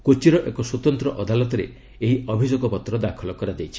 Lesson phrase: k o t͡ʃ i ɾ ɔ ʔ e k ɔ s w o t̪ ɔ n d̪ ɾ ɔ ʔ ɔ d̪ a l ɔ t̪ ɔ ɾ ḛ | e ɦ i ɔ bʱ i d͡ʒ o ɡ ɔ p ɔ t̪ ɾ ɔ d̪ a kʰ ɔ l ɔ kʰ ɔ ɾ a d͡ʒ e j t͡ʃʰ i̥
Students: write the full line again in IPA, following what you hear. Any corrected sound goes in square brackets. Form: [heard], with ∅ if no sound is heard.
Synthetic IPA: k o t͡ʃ i ɾ ɔ ʔ e k ɔ s w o t̪ ɔ n [t̪] ɾ ɔ ʔ ɔ d̪ a l ɔ t̪ ɔ ɾ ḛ | e ɦ i ɔ bʱ i d͡ʒ o ɡ ɔ p ɔ t̪ ɾ ɔ d̪ a kʰ ɔ l ɔ [k] ɔ ɾ a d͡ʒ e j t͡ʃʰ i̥